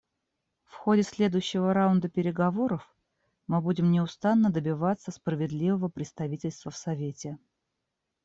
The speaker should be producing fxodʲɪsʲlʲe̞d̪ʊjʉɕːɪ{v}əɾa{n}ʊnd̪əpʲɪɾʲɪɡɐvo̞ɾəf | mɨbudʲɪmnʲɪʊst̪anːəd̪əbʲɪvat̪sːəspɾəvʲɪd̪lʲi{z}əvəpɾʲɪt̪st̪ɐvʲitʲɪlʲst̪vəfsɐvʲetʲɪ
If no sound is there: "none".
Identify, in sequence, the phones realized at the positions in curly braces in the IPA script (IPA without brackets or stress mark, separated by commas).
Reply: v, none, v